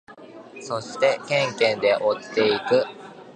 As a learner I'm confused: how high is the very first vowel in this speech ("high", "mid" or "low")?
mid